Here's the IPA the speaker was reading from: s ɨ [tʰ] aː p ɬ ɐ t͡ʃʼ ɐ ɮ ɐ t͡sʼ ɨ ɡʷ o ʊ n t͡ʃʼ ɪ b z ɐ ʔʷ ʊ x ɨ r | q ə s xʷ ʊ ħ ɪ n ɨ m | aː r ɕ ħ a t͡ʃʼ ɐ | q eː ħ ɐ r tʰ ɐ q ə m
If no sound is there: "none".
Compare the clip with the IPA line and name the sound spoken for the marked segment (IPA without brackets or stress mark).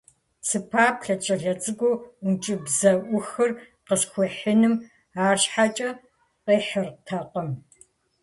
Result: pʰ